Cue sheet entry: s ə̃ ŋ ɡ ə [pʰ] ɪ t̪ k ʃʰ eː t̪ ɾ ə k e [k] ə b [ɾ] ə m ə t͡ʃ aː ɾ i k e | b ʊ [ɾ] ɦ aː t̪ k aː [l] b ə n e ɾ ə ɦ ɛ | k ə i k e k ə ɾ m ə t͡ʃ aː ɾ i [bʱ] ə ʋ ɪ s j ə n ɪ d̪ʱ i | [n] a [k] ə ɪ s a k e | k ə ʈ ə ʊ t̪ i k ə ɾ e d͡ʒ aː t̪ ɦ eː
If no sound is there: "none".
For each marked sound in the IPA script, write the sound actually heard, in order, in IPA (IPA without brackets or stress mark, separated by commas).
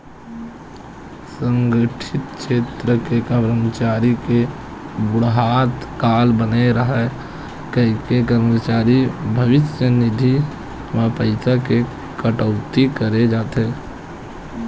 ʈʰ, k, ɾ, ɽ, l, bʱ, m, p